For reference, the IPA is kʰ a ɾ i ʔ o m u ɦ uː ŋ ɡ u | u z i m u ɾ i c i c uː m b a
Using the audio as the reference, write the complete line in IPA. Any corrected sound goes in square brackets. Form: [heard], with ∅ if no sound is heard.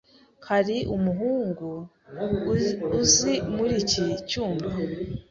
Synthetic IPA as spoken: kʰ a ɾ i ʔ [u] m u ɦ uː ŋ ɡ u | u z i m u ɾ i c i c uː m b a